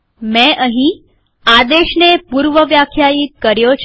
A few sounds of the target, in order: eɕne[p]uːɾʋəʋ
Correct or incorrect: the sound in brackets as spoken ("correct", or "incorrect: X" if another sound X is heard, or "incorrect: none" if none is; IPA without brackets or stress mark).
correct